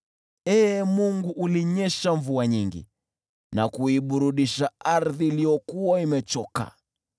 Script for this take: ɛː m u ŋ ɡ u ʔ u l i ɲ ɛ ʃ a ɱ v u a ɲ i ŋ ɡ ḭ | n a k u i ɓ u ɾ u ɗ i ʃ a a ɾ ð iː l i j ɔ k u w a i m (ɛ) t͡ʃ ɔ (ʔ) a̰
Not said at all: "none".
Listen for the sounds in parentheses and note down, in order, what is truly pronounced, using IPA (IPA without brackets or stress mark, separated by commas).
ɛ, k